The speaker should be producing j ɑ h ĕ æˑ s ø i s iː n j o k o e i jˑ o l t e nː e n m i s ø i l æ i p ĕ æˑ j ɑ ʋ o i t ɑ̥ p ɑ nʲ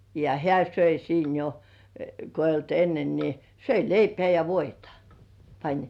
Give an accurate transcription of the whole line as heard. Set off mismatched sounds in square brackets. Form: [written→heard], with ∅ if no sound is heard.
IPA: j ɑ h ĕ æˑ s ø i s iː n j o k o e i jˑ o l t e nː e n [m→n] i s ø i l [æ→e] i p ĕ æˑ j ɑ ʋ o i t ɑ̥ p ɑ nʲ